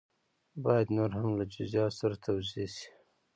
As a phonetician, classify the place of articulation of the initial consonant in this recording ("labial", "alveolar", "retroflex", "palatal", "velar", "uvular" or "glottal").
labial